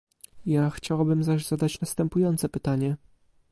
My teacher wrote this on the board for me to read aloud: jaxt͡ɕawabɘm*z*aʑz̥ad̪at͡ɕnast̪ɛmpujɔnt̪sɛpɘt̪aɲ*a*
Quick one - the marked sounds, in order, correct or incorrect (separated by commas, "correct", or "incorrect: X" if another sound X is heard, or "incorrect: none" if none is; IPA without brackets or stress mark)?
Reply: correct, incorrect: ɛ